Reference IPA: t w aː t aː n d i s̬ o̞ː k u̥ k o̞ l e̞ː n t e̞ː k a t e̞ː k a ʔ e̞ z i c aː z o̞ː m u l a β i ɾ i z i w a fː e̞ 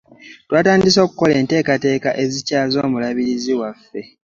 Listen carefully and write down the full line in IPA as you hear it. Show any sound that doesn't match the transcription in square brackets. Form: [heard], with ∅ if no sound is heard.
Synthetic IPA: t w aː t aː n d i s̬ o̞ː k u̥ k o̞ l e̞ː n t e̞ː k a t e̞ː k a ʔ e̞ z i c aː z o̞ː m u l a β i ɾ i z i w a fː e̞